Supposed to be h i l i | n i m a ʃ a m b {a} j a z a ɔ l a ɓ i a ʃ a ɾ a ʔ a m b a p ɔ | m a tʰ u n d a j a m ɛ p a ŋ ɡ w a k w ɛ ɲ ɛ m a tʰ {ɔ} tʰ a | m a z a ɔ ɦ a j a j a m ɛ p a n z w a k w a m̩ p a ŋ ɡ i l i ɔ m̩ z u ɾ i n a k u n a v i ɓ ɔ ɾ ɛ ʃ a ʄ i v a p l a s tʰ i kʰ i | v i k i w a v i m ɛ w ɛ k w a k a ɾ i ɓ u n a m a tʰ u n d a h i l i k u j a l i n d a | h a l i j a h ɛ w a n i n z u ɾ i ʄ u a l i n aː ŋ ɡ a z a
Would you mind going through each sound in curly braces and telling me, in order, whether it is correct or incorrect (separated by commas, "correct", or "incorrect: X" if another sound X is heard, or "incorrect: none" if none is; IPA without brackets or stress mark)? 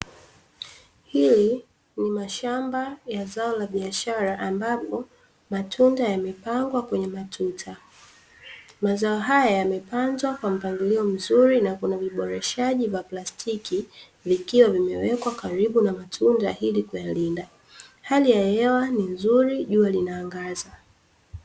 correct, incorrect: u